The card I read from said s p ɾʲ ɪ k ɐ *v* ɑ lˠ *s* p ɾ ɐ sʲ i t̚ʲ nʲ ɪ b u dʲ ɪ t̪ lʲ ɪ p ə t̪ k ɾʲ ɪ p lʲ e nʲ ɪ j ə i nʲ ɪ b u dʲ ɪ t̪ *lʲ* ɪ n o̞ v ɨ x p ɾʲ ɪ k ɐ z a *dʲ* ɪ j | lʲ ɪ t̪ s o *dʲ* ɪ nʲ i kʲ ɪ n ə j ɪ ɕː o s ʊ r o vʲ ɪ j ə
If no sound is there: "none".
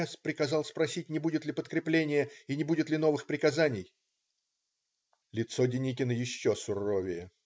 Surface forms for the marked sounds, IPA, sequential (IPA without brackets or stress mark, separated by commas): z, s, lʲ, nʲ, dʲ